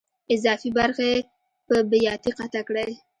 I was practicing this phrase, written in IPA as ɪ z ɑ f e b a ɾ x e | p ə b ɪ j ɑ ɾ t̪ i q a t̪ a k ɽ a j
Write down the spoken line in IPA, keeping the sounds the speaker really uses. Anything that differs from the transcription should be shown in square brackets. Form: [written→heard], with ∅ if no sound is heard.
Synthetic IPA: ɪ z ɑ f [e→i] b a ɾ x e | p ə b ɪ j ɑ [ɾ→∅] t̪ i q a t̪ a k ɽ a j